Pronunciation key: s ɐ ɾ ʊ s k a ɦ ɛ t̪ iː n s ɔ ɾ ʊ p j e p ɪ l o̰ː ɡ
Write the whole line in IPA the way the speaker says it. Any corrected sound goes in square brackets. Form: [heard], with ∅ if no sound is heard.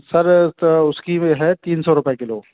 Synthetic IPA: s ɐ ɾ ʊ s k [i] ɦ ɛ t̪ iː n s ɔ ɾ ʊ p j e [k] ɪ l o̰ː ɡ